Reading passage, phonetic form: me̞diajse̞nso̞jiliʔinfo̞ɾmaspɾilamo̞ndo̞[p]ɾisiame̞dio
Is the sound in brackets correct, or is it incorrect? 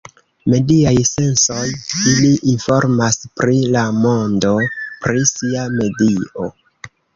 correct